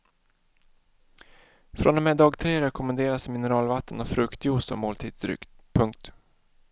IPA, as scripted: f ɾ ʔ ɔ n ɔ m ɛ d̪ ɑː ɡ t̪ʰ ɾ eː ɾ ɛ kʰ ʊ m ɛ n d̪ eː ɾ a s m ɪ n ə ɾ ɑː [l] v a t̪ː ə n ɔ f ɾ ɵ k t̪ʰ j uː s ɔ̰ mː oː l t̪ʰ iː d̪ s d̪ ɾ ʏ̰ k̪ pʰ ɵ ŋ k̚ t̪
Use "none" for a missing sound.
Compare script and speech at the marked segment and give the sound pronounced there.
l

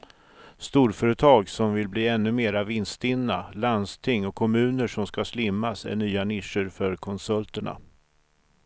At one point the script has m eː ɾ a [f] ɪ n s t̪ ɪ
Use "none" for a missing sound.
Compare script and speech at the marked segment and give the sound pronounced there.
v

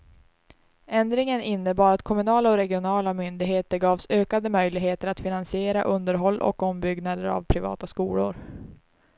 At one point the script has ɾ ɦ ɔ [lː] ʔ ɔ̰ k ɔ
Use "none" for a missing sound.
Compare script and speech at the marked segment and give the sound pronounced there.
lː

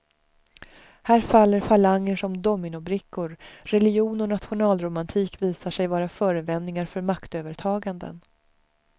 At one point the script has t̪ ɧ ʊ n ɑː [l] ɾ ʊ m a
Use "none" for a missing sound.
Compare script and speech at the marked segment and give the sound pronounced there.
l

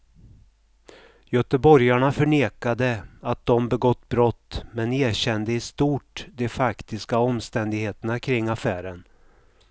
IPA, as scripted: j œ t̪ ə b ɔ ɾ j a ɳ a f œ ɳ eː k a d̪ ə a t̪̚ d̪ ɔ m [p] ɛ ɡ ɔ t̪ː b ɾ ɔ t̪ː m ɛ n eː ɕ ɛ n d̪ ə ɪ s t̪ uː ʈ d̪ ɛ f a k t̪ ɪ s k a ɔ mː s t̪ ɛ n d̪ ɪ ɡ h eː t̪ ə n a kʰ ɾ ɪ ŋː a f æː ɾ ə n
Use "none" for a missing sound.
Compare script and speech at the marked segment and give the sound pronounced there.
b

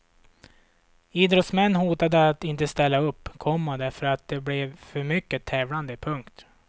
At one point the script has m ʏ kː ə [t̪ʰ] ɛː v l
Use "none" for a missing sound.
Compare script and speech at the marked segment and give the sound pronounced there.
t̪ʰ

